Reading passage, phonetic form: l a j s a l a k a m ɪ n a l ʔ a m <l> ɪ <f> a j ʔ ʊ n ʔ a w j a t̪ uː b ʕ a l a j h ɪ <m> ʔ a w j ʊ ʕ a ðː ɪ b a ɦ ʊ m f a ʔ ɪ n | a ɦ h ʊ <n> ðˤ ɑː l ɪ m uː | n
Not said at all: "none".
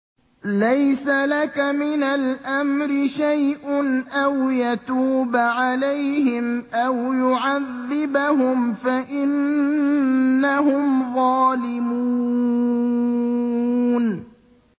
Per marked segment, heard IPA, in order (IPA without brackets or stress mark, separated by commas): ɾ, ʃ, m, m